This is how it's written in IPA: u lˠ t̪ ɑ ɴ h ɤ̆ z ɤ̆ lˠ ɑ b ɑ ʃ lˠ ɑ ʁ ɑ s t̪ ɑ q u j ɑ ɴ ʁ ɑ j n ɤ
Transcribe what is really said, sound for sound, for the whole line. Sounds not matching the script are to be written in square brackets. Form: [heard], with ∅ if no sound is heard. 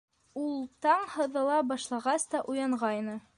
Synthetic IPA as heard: u lˠ t̪ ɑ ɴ h ɤ̆ [ð] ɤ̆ lˠ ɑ b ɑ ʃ lˠ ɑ ʁ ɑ s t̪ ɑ [ʔ] u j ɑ ɴ ʁ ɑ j n ɤ